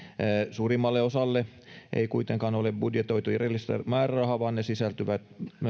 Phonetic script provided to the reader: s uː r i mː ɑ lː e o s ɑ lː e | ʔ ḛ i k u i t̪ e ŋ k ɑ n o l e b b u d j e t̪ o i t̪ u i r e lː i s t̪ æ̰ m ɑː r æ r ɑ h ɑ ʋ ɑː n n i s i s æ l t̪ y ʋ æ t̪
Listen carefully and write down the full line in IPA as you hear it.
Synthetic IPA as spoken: s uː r i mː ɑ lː e o s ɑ lː e | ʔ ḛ i k u i t̪ e ŋ k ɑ n o l e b b u d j e t̪ o i t̪ u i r e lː i s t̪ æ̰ m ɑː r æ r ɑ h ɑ ʋ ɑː n n e s i s æ l t̪ y ʋ æ t̪

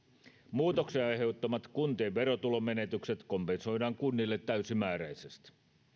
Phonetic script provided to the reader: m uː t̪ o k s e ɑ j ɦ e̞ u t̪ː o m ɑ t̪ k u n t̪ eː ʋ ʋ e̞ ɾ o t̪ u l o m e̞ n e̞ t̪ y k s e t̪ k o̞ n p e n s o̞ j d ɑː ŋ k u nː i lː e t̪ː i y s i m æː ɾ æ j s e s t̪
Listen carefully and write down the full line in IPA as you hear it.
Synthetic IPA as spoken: m uː t̪ o k s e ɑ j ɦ e̞ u t̪ː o m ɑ t̪ k u n t̪ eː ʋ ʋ e̞ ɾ o t̪ u l o m e̞ n e̞ t̪ y k s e t̪ k o̞ m p e n s o̞ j d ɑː ŋ k u nː i lː e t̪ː æ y s i m æː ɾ æ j s e s t̪

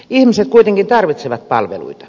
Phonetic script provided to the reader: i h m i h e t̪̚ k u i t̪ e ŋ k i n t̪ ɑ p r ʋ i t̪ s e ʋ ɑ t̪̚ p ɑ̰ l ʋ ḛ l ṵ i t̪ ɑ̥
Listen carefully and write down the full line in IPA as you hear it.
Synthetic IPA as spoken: i h m i s e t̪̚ k u i t̪ e ŋ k i n t̪ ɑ r ʋ i t̪ s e ʋ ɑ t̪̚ p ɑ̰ l ʋ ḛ l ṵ i t̪ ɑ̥

